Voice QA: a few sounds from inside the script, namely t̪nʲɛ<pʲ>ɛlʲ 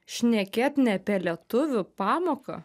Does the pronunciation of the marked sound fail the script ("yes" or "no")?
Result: no